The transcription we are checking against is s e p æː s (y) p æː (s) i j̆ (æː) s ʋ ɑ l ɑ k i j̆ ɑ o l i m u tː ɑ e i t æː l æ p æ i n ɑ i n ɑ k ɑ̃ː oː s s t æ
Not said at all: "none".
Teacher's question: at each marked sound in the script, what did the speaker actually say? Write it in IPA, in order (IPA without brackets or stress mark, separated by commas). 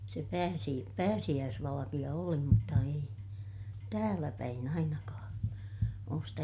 i, s, æː